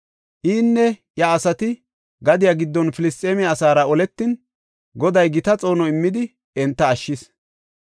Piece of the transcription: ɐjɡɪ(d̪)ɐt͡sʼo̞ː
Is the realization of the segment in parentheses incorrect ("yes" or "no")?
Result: yes